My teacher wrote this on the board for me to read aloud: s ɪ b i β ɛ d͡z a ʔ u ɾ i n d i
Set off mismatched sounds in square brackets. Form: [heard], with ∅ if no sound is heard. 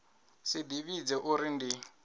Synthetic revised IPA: s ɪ [d] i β [i] d͡z [ɛ] ʔ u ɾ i n d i